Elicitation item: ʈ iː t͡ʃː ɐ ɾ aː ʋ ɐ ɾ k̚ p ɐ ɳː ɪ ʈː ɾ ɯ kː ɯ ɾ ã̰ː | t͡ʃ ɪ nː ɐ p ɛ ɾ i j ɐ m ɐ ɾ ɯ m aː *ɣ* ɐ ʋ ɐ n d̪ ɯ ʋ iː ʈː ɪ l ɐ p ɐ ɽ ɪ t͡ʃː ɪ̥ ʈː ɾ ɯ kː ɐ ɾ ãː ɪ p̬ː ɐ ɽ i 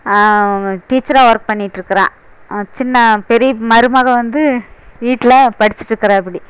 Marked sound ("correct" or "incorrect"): correct